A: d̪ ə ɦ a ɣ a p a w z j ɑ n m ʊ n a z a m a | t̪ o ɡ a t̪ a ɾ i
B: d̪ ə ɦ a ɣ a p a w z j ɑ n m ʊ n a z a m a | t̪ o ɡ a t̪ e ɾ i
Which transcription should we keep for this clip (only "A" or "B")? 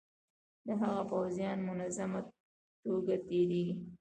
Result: B